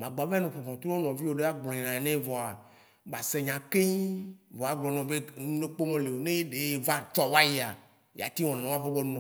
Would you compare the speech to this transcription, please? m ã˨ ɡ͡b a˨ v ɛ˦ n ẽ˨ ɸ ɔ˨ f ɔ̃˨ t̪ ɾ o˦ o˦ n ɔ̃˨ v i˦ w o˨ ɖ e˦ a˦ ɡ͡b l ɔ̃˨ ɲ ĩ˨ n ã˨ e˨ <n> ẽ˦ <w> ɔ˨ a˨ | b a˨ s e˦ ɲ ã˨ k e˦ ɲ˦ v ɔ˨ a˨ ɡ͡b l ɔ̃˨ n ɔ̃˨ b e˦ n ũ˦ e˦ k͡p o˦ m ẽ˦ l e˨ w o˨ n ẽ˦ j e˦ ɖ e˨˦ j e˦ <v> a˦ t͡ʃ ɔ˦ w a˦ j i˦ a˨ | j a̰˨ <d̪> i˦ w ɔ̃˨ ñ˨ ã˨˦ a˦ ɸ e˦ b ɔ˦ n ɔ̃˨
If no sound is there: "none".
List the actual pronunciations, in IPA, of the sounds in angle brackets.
n, v, v, t̪

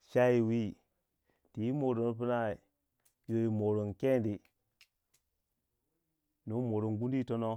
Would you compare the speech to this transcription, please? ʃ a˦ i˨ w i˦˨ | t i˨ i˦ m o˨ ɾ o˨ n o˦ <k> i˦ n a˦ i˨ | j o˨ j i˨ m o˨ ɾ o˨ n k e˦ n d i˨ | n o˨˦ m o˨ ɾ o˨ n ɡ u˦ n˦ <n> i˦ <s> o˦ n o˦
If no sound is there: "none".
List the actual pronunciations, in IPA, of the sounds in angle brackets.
p, d, t

